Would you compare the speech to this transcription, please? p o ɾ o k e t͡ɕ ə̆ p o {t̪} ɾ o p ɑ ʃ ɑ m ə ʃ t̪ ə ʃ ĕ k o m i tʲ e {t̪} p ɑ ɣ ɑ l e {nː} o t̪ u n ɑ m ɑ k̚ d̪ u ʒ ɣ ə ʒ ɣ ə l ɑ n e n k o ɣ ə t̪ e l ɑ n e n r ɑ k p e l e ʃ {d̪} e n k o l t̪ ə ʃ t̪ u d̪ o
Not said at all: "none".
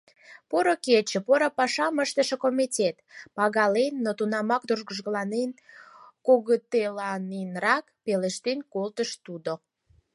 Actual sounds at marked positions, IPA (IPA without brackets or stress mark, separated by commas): none, t̪, nː, t̪